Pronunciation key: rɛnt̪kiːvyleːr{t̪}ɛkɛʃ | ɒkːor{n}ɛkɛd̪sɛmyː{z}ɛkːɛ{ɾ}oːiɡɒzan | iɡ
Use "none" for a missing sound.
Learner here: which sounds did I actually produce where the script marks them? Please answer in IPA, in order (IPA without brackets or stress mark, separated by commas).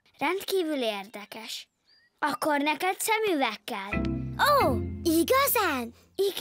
d̪, n, v, l